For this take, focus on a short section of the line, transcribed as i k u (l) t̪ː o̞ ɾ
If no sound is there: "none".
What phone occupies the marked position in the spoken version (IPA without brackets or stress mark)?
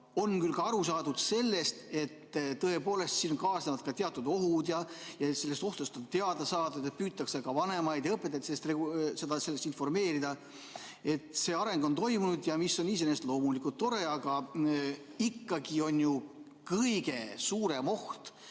l